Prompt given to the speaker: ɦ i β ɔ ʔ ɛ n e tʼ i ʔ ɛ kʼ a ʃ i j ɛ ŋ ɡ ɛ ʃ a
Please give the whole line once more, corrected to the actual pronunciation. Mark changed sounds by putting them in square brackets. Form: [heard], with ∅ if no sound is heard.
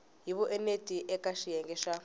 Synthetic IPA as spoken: ɦ i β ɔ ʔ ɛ n e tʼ i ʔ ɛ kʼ a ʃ i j ɛ ŋ ɡ ɛ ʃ a